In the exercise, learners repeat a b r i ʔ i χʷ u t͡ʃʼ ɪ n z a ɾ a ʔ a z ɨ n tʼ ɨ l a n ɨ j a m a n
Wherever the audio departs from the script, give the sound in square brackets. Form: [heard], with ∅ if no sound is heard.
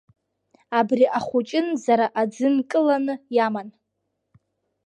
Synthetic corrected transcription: a b r i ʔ [a] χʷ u t͡ʃʼ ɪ n z a ɾ a ʔ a [d͡z] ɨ n [kʼ] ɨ l a n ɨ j a m a n